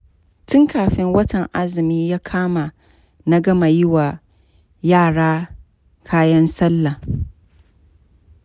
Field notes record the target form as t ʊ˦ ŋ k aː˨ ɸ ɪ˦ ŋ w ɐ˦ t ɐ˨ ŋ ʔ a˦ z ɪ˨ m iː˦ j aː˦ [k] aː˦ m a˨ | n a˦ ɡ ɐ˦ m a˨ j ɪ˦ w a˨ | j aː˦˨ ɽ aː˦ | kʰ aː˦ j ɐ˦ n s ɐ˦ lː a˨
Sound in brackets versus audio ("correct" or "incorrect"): incorrect